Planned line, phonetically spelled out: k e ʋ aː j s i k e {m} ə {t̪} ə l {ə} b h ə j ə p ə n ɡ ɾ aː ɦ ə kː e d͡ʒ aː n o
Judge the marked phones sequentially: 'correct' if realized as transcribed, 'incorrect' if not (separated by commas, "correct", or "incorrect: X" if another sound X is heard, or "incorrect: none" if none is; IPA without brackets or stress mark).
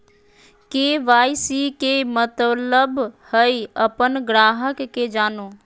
correct, correct, correct